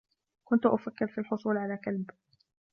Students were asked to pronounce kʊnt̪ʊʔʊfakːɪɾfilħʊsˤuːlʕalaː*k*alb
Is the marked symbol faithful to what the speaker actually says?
yes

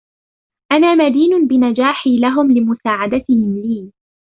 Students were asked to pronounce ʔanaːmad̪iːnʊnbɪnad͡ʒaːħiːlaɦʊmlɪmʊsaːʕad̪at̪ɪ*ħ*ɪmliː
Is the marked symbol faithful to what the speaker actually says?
no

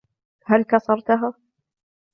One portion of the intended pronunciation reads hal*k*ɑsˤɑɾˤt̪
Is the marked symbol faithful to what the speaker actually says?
yes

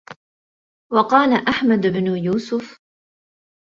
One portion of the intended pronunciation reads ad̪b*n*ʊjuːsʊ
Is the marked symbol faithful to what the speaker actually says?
yes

